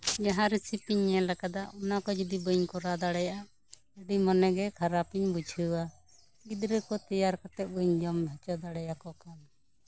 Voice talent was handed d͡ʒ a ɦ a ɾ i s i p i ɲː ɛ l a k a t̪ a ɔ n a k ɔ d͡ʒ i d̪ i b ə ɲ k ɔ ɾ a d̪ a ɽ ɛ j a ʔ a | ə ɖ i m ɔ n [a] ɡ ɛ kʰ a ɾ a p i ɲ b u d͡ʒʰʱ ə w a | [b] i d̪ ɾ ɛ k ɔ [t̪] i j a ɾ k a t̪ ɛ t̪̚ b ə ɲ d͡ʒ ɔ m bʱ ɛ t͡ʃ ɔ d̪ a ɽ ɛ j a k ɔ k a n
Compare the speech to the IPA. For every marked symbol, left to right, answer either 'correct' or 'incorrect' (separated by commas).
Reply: incorrect, incorrect, correct